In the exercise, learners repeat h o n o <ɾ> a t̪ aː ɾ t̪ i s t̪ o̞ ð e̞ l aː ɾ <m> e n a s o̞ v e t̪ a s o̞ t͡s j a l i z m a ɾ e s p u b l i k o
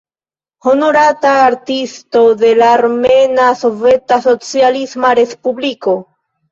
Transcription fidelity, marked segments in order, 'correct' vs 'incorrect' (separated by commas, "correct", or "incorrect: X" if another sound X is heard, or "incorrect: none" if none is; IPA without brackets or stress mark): correct, correct